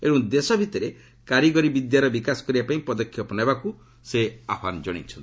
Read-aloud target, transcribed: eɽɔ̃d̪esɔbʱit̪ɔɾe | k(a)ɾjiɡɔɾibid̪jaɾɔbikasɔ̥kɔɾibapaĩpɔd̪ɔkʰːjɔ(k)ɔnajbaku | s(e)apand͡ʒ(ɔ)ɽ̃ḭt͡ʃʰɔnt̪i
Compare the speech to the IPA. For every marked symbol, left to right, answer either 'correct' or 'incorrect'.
correct, incorrect: p, correct, correct

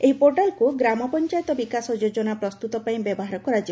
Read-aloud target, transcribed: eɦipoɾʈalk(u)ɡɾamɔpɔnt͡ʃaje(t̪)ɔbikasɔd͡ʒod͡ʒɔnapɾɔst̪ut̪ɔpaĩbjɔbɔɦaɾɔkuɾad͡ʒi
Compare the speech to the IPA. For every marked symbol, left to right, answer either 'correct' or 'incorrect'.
correct, correct

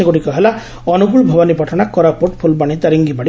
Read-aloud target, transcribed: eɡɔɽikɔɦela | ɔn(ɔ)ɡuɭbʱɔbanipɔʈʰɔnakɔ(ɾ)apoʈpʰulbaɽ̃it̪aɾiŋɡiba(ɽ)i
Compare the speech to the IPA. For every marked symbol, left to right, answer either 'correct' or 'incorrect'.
incorrect: u, correct, correct

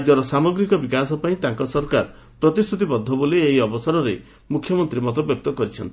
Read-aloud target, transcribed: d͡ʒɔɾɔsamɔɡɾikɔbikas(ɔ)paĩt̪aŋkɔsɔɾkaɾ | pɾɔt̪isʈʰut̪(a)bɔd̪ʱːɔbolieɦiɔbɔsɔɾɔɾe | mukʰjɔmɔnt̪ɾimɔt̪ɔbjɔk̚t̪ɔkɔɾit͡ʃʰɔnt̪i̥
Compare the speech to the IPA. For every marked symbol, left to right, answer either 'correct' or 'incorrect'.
correct, incorrect: i

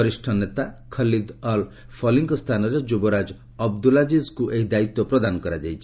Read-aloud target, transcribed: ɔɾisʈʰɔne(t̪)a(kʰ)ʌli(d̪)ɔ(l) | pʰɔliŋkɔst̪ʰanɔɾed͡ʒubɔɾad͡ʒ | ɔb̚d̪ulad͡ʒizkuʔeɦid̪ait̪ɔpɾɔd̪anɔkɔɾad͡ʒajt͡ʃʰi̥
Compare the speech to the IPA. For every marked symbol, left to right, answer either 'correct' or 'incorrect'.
correct, correct, correct, correct

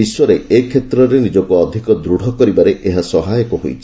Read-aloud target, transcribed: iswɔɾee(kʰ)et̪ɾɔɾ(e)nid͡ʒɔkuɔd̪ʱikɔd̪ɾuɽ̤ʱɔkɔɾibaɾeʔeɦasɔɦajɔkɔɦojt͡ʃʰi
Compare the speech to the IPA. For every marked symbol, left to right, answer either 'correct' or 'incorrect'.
correct, correct

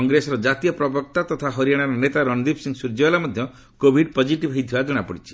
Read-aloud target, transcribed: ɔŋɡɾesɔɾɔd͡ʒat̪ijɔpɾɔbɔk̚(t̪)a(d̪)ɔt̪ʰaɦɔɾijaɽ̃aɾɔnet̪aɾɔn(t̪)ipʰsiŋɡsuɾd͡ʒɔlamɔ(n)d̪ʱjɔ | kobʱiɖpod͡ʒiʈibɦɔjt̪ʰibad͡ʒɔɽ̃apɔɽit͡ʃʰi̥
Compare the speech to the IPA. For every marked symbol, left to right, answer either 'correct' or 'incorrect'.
correct, incorrect: t̪, incorrect: d̪, incorrect: none

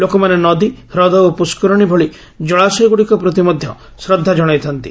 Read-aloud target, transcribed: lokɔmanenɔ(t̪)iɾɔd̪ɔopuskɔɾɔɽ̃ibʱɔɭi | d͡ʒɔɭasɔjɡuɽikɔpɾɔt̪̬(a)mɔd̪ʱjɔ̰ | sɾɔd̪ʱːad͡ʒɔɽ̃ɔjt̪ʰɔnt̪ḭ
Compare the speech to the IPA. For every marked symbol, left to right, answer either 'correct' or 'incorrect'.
incorrect: d̪, incorrect: i

